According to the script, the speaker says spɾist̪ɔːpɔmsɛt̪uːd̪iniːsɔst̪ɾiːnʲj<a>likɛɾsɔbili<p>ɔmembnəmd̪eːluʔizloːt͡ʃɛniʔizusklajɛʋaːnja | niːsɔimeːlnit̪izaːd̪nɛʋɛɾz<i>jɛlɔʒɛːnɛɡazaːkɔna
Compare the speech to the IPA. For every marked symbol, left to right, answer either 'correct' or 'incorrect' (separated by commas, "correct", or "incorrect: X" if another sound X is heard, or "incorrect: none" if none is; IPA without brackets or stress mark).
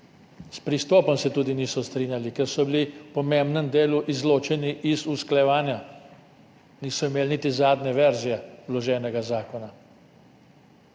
correct, correct, correct